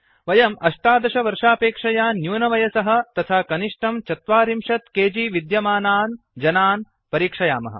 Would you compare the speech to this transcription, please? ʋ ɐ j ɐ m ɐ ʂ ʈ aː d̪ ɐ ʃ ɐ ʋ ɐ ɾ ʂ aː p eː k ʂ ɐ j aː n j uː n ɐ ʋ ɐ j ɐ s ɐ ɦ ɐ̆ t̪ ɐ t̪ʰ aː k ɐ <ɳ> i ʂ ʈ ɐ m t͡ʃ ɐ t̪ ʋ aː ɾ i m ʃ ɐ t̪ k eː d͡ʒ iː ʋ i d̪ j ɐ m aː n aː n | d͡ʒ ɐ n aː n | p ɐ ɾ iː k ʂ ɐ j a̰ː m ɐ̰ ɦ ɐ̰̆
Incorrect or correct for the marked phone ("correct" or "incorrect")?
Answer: incorrect